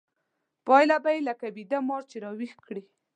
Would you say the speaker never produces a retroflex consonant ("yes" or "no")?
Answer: no